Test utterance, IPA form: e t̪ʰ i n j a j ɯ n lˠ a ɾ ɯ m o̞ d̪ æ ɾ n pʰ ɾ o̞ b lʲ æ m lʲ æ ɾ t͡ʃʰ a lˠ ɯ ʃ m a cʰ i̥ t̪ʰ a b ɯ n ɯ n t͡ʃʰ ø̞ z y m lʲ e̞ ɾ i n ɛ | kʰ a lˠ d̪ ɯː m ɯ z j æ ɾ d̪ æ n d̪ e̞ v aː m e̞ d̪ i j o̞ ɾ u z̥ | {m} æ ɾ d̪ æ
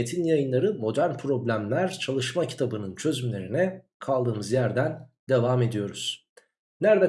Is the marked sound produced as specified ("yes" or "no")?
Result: no